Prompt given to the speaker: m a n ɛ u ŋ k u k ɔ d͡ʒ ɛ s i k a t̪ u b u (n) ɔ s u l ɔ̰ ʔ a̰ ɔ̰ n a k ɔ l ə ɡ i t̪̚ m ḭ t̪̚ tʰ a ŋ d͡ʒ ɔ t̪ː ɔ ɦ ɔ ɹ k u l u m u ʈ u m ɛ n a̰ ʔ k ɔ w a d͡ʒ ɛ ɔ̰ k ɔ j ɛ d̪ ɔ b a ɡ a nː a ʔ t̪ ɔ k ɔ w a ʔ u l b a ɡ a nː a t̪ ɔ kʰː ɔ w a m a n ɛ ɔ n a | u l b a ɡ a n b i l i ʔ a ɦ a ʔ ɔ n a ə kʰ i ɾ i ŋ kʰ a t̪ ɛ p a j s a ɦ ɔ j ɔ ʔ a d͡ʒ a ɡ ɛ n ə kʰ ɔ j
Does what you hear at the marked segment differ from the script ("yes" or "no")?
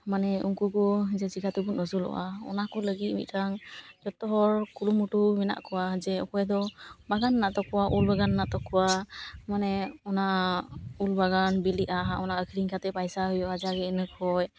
no